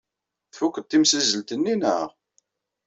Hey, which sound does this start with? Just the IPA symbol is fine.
θ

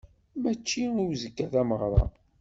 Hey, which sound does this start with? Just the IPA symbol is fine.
m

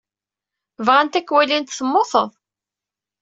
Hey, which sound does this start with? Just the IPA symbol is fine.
v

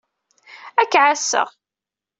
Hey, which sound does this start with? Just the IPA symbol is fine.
æ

